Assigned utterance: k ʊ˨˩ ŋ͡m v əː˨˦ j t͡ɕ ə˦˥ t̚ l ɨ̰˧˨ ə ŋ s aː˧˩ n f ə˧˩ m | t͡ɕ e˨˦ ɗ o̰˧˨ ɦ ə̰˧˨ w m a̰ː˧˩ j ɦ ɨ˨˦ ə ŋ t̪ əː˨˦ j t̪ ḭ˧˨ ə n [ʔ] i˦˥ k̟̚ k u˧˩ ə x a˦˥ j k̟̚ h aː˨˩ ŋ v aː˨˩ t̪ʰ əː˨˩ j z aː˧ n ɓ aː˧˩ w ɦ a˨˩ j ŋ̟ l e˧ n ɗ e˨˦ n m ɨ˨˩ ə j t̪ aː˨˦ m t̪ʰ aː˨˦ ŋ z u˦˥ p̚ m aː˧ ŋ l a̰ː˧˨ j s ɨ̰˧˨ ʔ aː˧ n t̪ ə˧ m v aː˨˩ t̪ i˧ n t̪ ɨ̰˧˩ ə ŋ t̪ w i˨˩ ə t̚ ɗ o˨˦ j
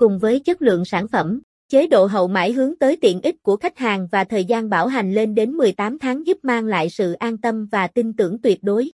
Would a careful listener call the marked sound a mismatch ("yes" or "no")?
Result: no